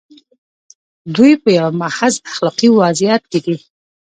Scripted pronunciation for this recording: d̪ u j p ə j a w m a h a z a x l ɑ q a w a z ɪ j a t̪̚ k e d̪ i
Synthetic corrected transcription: d̪ u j p ə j a w m a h a z a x l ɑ q i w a z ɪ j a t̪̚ k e d̪ i